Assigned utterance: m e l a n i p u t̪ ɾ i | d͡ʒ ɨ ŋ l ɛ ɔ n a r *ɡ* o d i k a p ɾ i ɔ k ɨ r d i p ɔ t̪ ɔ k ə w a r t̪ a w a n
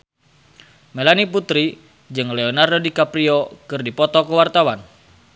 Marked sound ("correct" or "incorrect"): incorrect